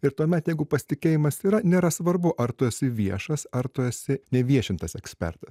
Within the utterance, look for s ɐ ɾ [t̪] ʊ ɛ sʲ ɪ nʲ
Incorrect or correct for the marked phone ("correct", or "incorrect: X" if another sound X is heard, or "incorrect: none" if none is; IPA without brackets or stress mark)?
correct